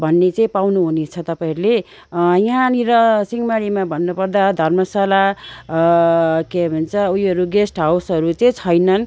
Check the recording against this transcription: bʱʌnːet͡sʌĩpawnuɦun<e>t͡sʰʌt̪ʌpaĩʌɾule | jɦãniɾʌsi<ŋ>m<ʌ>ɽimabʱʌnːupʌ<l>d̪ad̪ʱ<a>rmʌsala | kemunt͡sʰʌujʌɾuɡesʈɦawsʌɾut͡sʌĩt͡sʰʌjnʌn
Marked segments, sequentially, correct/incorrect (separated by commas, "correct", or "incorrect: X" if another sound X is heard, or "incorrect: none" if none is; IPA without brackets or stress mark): correct, correct, incorrect: a, incorrect: r, incorrect: ʌ